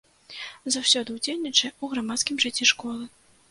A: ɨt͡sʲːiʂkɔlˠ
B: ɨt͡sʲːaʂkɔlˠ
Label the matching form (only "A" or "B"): A